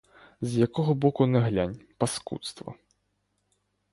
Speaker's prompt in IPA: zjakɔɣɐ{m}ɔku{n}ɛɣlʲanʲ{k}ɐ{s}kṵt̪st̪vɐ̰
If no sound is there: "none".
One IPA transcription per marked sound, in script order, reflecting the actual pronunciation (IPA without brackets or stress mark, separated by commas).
b, n, p, s